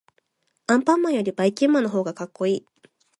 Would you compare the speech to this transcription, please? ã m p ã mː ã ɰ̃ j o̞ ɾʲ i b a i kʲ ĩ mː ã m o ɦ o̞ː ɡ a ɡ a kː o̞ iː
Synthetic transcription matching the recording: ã m p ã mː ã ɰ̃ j o̞ ɾʲ i b a i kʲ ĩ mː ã n o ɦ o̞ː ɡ a k a kː o̞ iː